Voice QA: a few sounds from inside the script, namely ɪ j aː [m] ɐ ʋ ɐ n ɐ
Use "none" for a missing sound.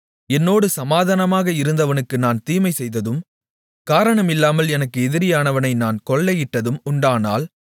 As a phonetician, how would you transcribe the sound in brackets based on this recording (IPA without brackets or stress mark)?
n